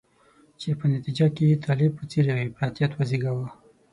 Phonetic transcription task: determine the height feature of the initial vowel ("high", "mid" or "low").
mid